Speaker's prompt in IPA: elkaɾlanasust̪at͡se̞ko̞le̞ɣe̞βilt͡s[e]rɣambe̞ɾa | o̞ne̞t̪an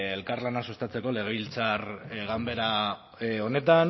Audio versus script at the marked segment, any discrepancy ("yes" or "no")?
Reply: yes